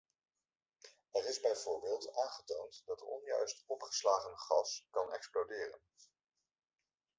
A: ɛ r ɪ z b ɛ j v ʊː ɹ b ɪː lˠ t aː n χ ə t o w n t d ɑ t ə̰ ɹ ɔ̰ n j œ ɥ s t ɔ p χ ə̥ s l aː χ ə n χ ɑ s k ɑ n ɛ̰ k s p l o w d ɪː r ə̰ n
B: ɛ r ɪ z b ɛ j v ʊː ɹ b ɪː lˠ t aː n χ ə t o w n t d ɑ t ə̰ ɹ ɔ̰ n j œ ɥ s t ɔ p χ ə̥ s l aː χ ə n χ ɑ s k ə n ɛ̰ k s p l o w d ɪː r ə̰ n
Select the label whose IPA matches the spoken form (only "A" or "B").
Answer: A